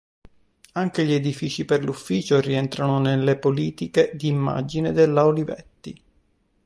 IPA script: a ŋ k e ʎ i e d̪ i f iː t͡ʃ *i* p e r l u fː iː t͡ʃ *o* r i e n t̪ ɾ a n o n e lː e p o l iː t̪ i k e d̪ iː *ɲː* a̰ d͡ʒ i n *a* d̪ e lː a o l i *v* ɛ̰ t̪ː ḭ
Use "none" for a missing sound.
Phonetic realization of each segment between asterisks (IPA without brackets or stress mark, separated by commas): i, o, mː, e, v